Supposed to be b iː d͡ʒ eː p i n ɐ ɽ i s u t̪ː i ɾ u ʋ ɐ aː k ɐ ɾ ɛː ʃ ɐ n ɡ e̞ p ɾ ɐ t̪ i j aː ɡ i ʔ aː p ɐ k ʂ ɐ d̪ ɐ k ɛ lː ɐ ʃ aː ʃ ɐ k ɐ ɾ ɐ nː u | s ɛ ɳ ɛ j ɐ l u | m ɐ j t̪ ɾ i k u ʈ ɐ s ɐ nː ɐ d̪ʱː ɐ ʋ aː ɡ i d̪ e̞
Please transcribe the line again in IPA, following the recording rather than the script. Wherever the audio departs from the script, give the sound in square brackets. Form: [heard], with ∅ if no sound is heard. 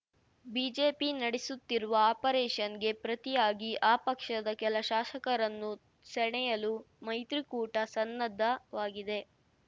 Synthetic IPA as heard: b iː d͡ʒ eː p i n ɐ ɽ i s u t̪ː i ɾ u ʋ ɐ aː [p] ɐ ɾ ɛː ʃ ɐ n ɡ e̞ p ɾ ɐ t̪ i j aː ɡ i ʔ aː p ɐ k ʂ ɐ d̪ ɐ k ɛ [l] ɐ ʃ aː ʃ ɐ k ɐ ɾ ɐ nː u | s ɛ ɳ ɛ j ɐ l u | m ɐ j t̪ ɾ i k [uː] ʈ ɐ s ɐ nː ɐ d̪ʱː ɐ ʋ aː ɡ i d̪ e̞

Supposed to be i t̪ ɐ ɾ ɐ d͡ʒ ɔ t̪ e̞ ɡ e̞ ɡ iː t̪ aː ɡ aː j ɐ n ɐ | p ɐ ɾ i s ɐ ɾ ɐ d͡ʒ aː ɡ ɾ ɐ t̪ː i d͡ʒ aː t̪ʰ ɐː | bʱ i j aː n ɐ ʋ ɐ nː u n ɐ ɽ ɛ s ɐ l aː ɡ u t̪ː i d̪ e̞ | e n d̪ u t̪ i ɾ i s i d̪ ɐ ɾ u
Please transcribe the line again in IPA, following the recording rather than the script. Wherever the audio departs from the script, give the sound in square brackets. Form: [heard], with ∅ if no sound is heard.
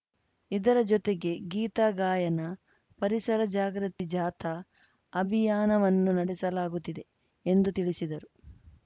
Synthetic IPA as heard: i [d̪] ɐ ɾ ɐ d͡ʒ ɔ t̪ e̞ ɡ e̞ ɡ iː t̪ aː ɡ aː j ɐ n ɐ | p ɐ ɾ i s ɐ ɾ ɐ d͡ʒ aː ɡ ɾ ɐ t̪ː i d͡ʒ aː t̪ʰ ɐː | bʱ i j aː n ɐ ʋ ɐ nː u n ɐ ɽ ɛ s ɐ l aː ɡ u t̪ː i d̪ e̞ | e n d̪ u t̪ i [ɭ] i s i d̪ ɐ ɾ u

